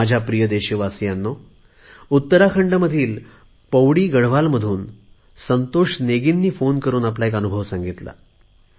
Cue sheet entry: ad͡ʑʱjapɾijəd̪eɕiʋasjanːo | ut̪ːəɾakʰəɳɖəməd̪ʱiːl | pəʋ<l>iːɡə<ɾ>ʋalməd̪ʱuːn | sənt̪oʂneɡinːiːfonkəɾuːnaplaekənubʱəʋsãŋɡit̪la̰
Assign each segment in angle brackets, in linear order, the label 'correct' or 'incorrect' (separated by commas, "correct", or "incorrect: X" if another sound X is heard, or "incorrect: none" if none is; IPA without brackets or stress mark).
incorrect: ɽ, incorrect: ɽ